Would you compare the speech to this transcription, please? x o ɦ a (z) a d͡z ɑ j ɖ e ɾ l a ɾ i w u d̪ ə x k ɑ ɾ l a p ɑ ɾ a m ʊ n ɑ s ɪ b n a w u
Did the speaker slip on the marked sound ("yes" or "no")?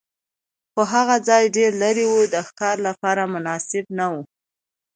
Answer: yes